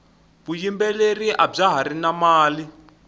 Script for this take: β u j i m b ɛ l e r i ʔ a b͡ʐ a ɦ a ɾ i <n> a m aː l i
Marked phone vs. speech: correct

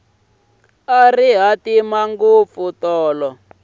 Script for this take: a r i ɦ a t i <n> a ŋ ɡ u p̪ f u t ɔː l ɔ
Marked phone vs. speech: incorrect: m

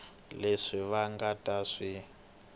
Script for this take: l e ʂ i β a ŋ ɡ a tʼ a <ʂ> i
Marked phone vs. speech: correct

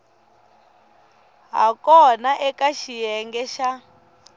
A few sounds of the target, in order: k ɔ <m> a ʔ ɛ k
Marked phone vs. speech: incorrect: n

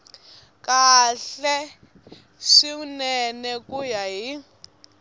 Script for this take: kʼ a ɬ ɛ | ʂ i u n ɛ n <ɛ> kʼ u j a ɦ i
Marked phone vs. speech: correct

